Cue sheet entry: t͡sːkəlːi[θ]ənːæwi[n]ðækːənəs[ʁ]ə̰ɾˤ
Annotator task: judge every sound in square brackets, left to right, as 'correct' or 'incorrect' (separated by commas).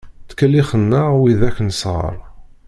incorrect, incorrect, correct